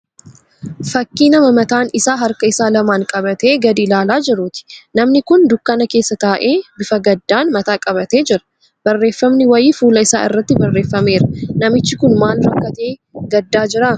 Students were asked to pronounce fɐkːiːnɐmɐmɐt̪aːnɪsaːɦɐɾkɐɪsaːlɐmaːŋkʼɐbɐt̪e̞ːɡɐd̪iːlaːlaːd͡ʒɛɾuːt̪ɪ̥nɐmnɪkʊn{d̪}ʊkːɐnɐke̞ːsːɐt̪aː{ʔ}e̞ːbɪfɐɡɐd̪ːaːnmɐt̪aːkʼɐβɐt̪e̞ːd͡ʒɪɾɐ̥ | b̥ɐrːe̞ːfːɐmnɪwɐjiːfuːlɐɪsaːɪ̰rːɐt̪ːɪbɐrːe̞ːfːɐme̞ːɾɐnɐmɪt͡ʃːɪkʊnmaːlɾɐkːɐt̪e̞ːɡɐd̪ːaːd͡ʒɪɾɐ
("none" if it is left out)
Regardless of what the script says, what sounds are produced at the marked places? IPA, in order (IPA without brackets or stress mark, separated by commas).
d̪, ʔ